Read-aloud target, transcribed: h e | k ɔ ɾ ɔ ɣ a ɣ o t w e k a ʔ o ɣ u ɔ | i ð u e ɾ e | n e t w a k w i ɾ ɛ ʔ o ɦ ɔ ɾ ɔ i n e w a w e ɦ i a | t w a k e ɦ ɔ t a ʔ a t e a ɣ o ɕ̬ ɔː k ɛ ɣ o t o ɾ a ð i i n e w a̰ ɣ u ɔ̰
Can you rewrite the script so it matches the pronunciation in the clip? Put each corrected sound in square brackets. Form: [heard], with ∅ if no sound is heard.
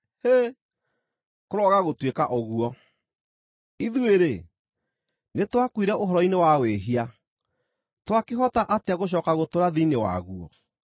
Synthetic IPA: h e | k [o] ɾ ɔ ɣ a ɣ o t w e k a ʔ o ɣ u ɔ | i ð u e ɾ e | n e t w a k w i ɾ ɛ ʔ o ɦ ɔ ɾ ɔ i n e w a w e ɦ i a | t w a k e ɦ ɔ t a ʔ a t e a ɣ o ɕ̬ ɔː k [a] ɣ o t o ɾ a ð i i n e w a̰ ɣ u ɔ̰